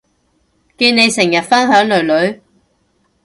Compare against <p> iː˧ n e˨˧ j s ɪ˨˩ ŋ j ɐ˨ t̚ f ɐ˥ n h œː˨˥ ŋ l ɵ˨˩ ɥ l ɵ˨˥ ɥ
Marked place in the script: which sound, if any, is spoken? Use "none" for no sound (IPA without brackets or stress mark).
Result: k